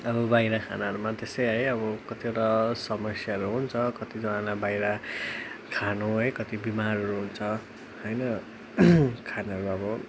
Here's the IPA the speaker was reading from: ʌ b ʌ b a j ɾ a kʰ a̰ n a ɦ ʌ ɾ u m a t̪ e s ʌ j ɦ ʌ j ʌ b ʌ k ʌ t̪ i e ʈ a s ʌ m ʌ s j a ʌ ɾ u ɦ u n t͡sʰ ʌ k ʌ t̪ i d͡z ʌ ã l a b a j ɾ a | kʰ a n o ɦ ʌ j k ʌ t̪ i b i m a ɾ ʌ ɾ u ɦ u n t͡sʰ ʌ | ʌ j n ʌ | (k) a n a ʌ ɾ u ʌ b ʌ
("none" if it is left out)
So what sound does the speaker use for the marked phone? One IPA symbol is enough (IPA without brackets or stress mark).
kʰ